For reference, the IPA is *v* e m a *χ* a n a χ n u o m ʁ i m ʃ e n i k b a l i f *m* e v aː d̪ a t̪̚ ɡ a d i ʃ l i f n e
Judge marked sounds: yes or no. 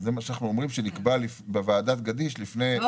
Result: no, no, no

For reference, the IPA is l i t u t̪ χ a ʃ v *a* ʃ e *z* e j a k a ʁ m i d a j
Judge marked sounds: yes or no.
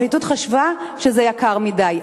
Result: yes, yes

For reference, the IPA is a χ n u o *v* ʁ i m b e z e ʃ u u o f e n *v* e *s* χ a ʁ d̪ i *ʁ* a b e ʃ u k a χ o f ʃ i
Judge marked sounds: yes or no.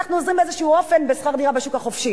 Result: no, no, yes, yes

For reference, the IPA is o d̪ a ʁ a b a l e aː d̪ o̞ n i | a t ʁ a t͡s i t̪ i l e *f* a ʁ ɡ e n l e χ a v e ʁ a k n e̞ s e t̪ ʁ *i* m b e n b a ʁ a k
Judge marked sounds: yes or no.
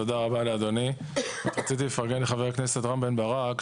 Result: yes, no

